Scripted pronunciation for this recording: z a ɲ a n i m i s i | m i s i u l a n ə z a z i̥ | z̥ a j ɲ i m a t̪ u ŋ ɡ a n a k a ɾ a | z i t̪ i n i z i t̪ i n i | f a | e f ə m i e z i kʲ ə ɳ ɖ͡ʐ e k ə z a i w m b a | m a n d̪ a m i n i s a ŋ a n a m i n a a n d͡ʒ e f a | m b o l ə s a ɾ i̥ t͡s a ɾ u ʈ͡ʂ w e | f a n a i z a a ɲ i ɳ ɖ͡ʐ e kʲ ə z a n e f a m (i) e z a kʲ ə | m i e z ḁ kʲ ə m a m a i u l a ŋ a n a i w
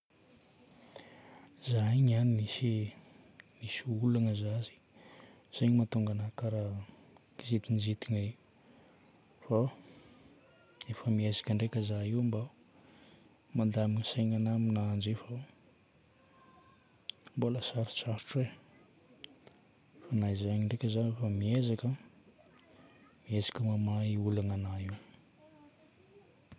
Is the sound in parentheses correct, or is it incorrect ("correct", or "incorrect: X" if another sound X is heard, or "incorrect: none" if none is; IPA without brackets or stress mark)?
correct